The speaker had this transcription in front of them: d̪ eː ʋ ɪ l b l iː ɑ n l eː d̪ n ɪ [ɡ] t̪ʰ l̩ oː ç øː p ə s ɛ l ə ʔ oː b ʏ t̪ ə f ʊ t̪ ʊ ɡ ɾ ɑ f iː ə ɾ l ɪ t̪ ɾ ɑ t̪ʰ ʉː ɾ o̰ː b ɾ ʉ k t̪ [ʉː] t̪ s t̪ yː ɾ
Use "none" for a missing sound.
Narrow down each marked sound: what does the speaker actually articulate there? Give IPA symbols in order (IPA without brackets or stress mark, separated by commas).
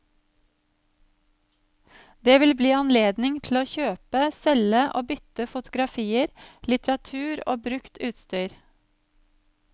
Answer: ŋ, ʉː